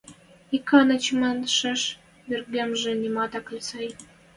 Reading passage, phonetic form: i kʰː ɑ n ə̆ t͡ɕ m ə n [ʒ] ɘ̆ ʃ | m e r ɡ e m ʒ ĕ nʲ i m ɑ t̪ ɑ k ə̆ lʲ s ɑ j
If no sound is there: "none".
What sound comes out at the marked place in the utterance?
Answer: ʃ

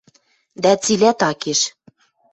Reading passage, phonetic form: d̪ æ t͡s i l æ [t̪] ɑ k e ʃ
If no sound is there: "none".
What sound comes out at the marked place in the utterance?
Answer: t̪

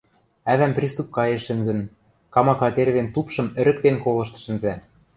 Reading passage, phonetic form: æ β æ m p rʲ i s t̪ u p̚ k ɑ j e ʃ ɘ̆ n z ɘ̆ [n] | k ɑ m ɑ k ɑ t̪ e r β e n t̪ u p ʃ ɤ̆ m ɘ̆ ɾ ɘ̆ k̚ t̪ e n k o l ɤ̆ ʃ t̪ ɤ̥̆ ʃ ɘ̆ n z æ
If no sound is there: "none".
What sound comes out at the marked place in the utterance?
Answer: n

